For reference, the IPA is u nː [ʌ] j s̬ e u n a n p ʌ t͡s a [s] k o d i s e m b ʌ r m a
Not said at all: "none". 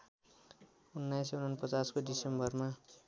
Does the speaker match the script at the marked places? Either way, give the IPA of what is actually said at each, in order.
a, s

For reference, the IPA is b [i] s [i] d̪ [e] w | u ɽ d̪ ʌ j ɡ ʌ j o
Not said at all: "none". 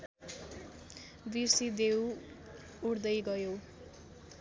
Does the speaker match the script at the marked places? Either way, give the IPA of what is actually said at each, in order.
i, i, e

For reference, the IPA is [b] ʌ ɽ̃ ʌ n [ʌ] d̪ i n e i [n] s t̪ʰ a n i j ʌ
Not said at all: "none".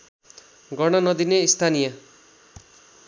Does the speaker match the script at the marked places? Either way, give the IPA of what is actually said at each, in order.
ɡ, ʌ, none

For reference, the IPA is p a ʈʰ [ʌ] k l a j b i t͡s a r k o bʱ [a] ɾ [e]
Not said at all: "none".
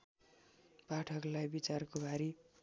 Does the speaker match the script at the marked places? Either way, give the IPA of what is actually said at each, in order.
ʌ, a, i

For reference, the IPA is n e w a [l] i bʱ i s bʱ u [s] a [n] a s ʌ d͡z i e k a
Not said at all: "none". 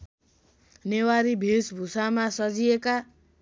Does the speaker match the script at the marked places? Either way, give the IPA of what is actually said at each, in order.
ɾ, s, m

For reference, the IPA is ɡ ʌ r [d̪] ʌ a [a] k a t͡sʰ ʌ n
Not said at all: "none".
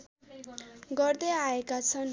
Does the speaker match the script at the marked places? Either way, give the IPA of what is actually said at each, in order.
d̪, e

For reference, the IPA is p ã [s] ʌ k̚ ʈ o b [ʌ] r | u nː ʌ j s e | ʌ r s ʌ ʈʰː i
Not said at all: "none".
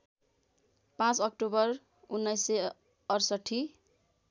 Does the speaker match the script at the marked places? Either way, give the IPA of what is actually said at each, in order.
t͡s, ʌ

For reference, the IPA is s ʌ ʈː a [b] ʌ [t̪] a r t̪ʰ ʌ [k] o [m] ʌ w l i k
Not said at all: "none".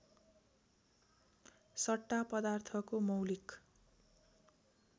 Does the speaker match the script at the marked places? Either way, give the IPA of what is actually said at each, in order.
p, d̪, k, m

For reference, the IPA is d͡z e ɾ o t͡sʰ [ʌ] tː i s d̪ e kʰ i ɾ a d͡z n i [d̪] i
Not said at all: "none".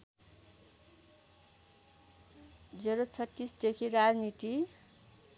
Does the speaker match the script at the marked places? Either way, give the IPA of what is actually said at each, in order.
ʌ, t̪

